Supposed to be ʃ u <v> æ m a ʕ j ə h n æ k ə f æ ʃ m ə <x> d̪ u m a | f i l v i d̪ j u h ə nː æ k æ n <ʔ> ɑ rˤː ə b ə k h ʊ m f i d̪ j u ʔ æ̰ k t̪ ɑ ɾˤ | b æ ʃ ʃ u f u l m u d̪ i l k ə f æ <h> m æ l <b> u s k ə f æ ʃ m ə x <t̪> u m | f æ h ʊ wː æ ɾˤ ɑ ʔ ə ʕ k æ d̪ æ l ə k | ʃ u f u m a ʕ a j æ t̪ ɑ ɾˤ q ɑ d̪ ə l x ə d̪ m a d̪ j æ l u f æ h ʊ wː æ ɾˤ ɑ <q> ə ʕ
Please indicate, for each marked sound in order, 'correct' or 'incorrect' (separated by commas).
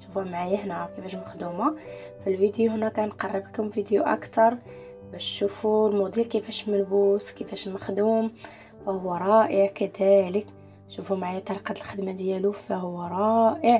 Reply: incorrect, correct, incorrect, incorrect, correct, incorrect, incorrect